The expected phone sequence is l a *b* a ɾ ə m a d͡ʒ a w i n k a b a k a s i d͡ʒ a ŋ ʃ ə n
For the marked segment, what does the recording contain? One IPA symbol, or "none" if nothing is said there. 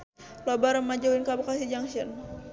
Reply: b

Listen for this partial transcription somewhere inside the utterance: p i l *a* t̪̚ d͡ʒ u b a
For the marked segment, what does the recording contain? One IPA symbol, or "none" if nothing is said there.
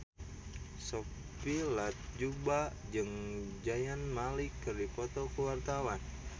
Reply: a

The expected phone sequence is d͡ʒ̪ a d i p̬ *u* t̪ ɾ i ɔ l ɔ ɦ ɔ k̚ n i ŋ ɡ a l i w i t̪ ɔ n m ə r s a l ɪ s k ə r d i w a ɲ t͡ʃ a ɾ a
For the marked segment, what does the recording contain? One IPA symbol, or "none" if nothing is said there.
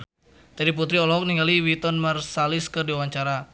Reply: u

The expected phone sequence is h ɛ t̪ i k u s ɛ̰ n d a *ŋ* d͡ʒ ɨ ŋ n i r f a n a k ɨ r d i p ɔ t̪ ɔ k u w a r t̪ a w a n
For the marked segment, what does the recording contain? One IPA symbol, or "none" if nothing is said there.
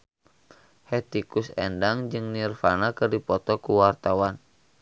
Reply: ŋ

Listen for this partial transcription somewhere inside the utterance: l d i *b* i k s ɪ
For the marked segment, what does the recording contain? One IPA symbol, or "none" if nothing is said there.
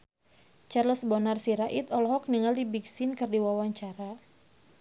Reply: b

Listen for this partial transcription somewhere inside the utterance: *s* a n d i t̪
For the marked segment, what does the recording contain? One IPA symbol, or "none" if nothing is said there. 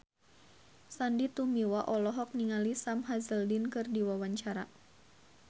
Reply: s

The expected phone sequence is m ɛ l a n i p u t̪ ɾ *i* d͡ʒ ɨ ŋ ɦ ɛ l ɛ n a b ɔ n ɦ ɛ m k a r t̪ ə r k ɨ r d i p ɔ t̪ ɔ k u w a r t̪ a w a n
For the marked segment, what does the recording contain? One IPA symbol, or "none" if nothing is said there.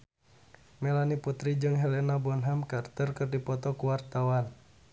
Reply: i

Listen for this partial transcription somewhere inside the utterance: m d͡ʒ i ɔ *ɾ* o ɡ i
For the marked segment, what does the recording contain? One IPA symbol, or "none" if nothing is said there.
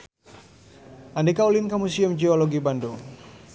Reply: l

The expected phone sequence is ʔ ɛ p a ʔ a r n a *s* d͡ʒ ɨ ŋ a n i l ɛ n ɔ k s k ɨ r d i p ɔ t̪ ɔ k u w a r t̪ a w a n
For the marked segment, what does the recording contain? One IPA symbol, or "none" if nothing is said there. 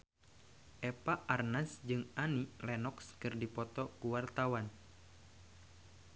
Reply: s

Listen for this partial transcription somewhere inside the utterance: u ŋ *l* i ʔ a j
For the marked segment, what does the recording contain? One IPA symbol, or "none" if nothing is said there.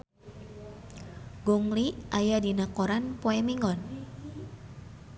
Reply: l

